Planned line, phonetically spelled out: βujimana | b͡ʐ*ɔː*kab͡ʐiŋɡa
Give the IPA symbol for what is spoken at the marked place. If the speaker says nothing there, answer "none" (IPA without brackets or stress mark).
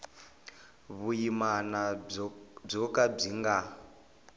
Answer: ɔ